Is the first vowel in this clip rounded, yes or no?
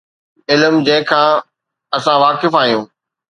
no